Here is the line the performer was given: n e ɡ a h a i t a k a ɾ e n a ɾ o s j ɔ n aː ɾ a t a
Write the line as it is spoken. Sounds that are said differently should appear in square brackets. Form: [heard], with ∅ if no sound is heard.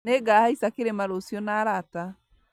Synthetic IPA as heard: n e ɡ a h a i [s] a k [e] ɾ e [m] a ɾ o s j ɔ n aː ɾ a t a